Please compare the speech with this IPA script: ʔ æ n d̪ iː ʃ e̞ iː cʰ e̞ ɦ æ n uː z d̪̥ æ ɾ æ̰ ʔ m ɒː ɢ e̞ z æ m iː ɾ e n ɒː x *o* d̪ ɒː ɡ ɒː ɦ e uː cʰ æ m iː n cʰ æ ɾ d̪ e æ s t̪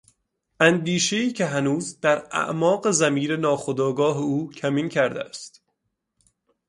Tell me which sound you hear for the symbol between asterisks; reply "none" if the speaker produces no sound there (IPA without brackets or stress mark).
o